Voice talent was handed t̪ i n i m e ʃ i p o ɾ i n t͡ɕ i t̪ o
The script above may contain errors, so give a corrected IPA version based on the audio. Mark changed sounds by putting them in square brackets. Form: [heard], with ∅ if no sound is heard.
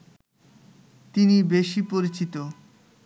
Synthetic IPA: t̪ i n i [b] e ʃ i p o ɾ i [∅] t͡ɕ i t̪ o